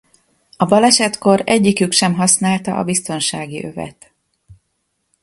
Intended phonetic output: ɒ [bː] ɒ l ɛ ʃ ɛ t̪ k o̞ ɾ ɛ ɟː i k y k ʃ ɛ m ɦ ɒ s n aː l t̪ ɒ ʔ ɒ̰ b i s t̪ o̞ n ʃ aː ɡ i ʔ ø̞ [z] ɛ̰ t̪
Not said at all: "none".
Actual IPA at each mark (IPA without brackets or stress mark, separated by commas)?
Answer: b, v